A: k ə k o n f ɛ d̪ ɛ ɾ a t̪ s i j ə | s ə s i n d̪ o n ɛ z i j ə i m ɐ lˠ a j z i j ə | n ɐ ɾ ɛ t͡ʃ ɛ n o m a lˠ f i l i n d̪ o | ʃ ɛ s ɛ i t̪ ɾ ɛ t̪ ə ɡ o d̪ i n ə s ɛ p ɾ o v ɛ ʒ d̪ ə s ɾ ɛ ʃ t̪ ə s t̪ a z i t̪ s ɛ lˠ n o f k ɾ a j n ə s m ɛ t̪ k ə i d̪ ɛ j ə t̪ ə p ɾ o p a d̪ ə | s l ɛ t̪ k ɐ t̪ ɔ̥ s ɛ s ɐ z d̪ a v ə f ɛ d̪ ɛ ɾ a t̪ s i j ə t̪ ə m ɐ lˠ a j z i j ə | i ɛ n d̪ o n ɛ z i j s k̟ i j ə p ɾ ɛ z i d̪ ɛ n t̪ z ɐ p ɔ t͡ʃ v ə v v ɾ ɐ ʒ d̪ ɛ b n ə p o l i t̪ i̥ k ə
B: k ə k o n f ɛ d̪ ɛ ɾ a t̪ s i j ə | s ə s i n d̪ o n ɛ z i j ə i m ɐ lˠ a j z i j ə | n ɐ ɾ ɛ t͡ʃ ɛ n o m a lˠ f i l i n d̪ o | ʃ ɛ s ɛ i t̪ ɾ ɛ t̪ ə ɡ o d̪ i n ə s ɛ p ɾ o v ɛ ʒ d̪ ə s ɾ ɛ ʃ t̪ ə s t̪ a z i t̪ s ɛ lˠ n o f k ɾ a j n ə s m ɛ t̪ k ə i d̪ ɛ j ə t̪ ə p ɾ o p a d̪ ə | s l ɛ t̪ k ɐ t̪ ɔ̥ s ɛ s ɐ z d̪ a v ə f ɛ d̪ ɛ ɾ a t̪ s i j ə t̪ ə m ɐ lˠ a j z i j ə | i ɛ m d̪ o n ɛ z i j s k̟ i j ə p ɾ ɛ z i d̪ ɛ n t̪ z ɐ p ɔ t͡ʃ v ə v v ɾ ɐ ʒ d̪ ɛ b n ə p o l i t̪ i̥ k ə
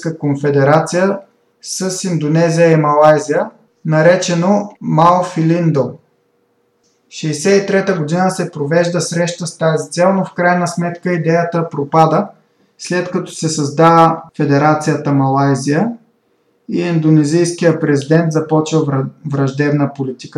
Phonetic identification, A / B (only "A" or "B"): A